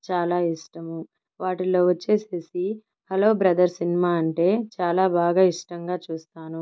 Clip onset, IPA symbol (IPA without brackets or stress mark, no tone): t͡ʃ